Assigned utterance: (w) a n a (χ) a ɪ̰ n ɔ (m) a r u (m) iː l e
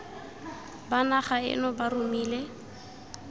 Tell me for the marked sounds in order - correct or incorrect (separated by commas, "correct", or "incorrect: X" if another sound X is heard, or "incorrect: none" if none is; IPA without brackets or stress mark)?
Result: incorrect: b, correct, incorrect: b, correct